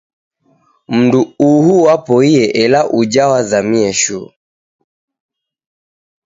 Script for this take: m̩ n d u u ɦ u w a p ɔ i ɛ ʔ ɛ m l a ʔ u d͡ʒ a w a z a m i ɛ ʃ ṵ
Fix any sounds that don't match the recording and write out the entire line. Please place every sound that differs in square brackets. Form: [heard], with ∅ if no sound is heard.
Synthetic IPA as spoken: m̩ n d u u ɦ u w a p ɔ i ɛ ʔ ɛ [∅] l a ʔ u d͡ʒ a w a z a m i ɛ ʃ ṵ